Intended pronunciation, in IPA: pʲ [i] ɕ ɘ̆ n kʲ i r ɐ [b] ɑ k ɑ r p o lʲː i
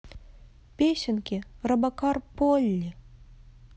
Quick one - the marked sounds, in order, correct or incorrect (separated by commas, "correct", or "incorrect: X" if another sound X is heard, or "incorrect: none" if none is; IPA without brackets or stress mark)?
incorrect: e, correct